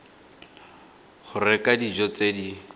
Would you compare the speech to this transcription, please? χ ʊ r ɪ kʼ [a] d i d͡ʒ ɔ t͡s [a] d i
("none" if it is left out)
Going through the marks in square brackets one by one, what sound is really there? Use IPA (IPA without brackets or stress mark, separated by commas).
a, e